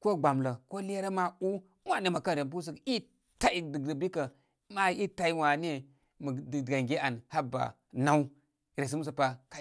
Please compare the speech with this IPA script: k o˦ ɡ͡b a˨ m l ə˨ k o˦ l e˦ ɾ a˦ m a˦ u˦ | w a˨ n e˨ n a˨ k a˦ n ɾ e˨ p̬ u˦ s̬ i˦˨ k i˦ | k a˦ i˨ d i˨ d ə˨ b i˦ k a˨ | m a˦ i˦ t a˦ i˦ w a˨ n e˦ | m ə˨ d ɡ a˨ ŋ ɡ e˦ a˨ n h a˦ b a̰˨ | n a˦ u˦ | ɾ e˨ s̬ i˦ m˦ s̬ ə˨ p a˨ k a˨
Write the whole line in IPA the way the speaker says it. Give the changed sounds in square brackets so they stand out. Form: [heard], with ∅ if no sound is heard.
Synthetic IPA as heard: k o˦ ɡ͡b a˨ m l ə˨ k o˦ l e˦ ɾ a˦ m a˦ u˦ | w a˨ n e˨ [m] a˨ k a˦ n ɾ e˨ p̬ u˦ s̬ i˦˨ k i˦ | [t] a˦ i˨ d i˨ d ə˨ b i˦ k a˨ | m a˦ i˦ t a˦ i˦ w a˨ n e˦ | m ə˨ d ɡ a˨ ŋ ɡ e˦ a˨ n h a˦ b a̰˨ | n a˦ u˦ | ɾ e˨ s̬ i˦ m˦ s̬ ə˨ p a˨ k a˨

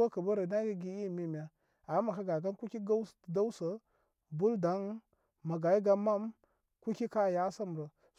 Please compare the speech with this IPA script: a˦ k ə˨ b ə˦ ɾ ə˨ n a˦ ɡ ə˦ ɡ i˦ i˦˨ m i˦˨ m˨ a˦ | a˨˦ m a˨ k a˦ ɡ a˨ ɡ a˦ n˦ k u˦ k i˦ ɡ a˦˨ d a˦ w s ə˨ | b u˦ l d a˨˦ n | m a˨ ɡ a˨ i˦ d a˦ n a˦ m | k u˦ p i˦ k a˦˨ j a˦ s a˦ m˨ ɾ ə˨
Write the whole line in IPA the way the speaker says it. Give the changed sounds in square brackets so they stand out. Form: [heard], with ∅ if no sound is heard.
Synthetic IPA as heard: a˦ k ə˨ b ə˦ ɾ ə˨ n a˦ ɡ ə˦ ɡ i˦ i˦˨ m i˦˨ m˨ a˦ | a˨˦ m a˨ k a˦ ɡ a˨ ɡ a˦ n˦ k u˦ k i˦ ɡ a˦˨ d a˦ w s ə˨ | b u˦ l d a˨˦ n | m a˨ ɡ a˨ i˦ [ɡ] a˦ [m] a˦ m | k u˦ [k] i˦ k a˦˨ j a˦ s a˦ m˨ ɾ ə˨

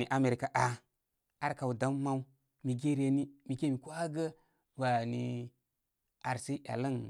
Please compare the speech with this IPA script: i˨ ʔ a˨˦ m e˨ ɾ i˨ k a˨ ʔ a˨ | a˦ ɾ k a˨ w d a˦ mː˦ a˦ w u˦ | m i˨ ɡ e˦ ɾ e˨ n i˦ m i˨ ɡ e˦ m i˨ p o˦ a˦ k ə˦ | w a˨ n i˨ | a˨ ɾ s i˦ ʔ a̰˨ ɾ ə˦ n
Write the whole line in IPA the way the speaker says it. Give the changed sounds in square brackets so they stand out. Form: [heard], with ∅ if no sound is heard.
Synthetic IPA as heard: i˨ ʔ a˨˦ m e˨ ɾ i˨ k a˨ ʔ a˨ | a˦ ɾ k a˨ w d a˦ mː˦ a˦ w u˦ | m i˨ ɡ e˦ ɾ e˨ n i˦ m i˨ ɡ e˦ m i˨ [k] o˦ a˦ [ɡ] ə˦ | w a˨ n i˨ | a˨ ɾ s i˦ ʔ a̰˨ [l] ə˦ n

